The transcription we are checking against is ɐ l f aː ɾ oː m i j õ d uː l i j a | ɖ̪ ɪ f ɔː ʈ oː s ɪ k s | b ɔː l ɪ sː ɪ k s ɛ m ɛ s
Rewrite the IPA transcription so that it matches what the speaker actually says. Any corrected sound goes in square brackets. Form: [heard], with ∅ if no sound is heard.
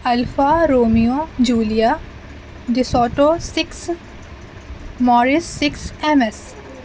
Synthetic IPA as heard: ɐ l f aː ɾ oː m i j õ [d͡ʒ] uː l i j a | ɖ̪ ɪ [s] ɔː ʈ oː s ɪ k s | [m] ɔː [ɾ] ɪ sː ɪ k s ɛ m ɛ s